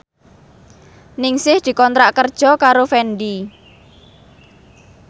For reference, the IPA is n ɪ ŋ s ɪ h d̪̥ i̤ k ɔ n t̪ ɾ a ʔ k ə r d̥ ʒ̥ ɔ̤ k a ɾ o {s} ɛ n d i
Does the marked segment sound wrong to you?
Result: yes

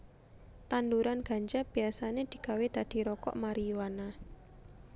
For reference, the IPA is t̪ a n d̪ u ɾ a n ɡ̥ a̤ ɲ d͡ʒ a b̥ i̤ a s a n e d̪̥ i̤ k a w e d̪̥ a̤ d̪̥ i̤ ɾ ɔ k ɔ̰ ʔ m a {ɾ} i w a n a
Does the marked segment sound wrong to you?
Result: no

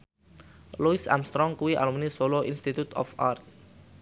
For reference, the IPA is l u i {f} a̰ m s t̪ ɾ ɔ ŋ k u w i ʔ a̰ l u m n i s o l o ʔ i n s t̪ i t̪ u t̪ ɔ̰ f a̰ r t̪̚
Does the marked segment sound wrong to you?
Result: yes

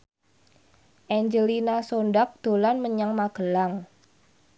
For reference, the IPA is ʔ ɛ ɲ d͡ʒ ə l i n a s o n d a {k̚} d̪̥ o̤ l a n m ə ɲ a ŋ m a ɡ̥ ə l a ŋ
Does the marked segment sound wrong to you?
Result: no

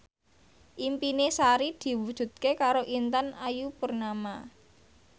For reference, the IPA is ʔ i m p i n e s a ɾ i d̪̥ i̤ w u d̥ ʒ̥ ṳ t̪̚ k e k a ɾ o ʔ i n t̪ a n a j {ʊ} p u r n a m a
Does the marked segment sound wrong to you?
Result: yes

